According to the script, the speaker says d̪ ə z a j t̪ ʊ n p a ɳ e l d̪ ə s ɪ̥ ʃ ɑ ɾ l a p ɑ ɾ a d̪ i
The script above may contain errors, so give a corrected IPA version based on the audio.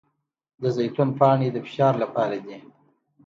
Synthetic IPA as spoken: d̪ ə z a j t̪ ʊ n p ɑ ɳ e d̪ ə f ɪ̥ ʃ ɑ ɾ l a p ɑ ɾ a d̪ i